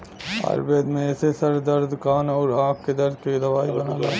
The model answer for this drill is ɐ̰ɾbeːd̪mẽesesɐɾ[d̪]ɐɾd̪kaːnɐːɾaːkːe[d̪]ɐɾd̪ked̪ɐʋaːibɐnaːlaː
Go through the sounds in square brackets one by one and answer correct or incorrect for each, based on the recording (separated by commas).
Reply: correct, correct